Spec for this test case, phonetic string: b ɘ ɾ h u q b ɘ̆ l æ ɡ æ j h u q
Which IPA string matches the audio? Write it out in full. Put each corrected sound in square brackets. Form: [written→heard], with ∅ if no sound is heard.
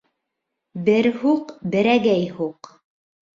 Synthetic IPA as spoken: b ɘ ɾ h u q b ɘ̆ [l→ɾ] æ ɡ æ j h u q